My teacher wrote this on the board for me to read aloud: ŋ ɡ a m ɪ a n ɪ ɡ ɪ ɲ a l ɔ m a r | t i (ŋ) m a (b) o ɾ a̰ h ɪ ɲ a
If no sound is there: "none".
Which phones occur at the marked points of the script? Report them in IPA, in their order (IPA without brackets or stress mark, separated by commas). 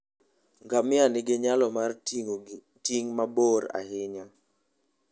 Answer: ŋ, b